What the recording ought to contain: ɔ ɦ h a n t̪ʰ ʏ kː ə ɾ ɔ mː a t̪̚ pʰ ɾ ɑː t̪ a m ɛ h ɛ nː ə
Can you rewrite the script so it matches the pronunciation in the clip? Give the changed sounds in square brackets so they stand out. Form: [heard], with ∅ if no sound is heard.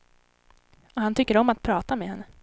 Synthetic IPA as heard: ɔ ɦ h a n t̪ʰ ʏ kː ə ɾ ɔ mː a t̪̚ pʰ ɾ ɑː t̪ a m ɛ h ɛ nː ə